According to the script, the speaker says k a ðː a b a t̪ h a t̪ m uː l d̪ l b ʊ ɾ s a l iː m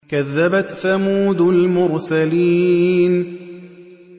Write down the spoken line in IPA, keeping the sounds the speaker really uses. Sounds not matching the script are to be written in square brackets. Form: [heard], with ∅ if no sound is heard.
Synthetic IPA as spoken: k a ðː a b a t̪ [θ] a [∅] m uː [∅] d̪ l [m] ʊ ɾ s a l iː [n]